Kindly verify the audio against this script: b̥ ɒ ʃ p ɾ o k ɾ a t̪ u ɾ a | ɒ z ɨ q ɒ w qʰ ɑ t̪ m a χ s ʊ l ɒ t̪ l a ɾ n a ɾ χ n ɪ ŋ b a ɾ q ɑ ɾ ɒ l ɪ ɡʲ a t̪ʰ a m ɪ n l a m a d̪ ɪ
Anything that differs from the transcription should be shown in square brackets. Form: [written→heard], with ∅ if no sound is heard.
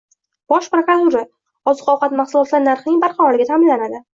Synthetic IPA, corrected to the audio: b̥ ɒ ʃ p ɾ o k ɾ a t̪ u ɾ a | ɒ z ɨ q ɒ w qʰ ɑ t̪ m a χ s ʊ l ɒ t̪ l a ɾ n a ɾ χ n ɪ ŋ b a ɾ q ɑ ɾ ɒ l ɪ ɡʲ a t̪ʰ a m ɪ n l a [m→n] a d̪ ɪ